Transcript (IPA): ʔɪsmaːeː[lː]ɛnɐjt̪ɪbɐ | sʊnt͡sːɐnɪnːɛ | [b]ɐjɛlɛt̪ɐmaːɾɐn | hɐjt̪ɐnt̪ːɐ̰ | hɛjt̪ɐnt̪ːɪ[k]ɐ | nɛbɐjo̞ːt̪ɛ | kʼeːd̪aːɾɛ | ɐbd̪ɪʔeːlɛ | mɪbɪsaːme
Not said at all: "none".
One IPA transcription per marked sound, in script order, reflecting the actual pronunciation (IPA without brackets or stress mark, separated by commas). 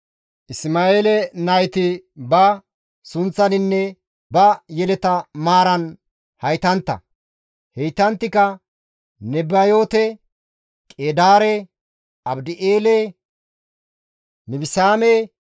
l, b, k